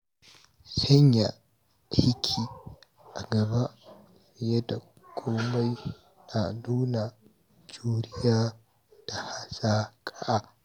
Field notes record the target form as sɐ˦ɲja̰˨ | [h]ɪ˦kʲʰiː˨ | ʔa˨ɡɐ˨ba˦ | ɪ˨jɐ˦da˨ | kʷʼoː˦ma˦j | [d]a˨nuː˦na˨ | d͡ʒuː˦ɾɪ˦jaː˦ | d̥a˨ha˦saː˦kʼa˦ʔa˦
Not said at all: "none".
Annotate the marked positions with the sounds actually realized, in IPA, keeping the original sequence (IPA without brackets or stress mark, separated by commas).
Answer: h, n